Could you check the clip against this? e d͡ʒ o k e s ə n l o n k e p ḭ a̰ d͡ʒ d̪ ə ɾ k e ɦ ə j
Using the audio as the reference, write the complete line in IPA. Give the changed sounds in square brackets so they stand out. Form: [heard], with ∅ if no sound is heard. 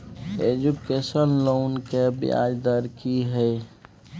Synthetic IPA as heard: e d͡ʒ [u] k e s ə n l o n k e [b] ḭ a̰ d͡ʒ d̪ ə ɾ k [i] ɦ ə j